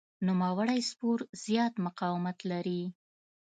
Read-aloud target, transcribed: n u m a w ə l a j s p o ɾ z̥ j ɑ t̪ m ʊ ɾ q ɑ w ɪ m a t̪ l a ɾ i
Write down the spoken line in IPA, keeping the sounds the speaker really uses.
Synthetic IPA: n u m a w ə ɽ a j s p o ɾ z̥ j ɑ t̪ m ʊ q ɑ w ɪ m a t̪ l a ɾ i